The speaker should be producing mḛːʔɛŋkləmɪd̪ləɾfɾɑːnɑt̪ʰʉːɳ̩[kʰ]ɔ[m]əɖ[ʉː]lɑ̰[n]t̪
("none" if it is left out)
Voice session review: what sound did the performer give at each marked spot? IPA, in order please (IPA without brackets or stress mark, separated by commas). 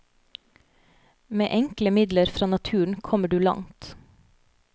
kʰ, m, ʉː, ŋ